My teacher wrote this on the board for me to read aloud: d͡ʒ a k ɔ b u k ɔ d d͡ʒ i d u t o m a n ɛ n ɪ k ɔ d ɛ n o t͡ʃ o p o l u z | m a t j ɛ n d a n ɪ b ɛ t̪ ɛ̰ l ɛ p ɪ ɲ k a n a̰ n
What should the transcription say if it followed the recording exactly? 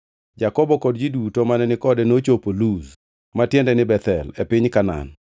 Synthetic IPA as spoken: d͡ʒ a k ɔ b ɔ k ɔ d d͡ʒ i d u t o m a n ɛ n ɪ k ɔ d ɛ n o t͡ʃ o p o l u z | m a t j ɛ n d ɛ n ɪ b ɛ t̪ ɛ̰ l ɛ p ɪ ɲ k a n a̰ n